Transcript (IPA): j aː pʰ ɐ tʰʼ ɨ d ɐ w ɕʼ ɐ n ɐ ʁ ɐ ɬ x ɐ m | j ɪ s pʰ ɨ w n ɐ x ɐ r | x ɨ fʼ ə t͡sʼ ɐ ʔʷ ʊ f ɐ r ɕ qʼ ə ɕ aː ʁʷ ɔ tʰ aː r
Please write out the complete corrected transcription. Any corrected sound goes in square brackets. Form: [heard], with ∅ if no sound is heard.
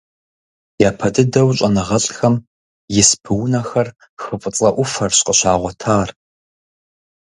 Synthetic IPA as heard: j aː pʰ ɐ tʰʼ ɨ d ɐ w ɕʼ ɐ n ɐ ʁ ɐ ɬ x ɐ m | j ɪ s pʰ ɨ w n ɐ x ɐ r | x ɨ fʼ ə t͡sʼ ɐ ʔʷ ʊ f ɐ r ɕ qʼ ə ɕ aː ʁʷ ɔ tʰ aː r